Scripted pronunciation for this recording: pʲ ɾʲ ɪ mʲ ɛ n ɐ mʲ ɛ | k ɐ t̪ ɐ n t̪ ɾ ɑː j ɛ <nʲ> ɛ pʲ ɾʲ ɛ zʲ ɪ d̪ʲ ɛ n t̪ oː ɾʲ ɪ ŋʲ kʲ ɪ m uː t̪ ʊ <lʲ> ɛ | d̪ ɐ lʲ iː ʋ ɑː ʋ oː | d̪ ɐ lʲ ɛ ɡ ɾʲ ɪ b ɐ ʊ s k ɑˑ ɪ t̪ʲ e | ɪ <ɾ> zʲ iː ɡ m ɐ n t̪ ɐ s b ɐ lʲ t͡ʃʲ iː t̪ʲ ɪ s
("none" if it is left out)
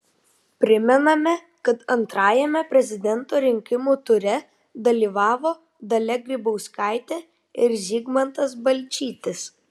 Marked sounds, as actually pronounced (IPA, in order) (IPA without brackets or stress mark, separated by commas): mʲ, ɾʲ, ɾ